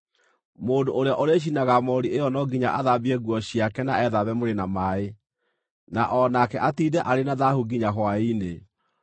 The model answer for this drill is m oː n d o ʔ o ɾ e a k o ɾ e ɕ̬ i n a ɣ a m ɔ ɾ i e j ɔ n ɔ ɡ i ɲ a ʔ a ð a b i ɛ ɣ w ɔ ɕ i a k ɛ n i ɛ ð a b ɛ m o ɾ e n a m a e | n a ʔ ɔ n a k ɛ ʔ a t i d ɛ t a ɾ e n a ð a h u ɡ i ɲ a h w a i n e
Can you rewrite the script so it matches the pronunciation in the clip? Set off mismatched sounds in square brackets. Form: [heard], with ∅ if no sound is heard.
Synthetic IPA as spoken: m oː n d o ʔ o ɾ e a [ʔ] o ɾ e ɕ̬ i n a ɣ a m ɔ ɾ i e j ɔ n ɔ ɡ i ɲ a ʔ a ð a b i ɛ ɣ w ɔ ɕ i a k ɛ n [a] ɛ ð a [β] ɛ m o ɾ e n a m a e | n a ʔ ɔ n a k ɛ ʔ a t i d ɛ [ʔ] a ɾ e n a ð a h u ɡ i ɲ a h w a i n e